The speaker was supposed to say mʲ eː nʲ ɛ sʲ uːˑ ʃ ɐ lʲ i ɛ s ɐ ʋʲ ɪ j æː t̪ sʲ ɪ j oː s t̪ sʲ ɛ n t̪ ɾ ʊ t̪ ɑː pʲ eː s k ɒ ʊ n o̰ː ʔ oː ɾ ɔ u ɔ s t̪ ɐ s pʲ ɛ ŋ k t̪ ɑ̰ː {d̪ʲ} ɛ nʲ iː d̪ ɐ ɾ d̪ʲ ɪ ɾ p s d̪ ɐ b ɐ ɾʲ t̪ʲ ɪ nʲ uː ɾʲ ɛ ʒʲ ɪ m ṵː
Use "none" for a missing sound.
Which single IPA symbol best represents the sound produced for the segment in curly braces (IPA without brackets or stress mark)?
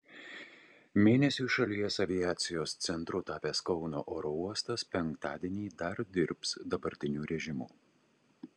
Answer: d̪ʲ